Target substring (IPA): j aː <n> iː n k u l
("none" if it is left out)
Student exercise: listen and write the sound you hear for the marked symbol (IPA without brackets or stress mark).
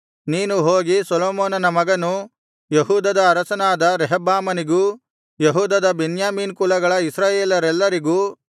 m